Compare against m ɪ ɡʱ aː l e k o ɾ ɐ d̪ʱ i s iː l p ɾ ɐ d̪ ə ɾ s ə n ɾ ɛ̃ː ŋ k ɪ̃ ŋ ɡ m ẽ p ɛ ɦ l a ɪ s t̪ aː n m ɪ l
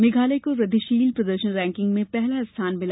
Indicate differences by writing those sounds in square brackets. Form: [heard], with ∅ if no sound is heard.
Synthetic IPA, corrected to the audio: m ɪ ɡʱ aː l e k o ɾ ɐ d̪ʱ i [ʃ] iː l p ɾ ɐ d̪ ə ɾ [ʃ] ə n ɾ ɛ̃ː ŋ k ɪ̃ ŋ ɡ m ẽ p ɛ ɦ l a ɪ s [t̪ʰ] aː n m ɪ l